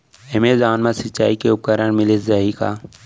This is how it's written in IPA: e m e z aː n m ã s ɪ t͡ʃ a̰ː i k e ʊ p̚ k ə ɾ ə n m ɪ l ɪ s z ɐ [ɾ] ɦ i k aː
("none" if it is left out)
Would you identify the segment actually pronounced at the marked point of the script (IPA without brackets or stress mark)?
none